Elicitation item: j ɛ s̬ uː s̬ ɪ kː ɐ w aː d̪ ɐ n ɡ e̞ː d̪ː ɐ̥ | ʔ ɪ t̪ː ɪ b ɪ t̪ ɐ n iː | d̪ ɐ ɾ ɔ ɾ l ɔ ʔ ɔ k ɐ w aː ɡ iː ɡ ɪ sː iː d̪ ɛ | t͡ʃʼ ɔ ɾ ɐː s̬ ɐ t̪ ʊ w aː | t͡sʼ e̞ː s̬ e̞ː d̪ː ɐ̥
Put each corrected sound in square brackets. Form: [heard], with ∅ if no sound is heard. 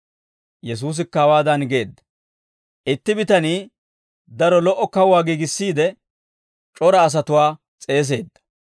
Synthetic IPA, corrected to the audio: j ɛ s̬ uː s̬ ɪ kː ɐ w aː d̪ ɐ n ɡ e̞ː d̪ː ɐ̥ | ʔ ɪ t̪ː ɪ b ɪ t̪ ɐ n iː | d̪ ɐ ɾ ɔ [∅] l ɔ ʔ ɔ k ɐ w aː ɡ iː ɡ ɪ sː iː d̪ ɛ | t͡ʃʼ ɔ ɾ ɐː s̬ ɐ t̪ ʊ w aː | t͡sʼ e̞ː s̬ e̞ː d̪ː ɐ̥